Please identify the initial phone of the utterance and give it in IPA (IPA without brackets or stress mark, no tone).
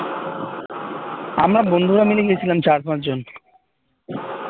a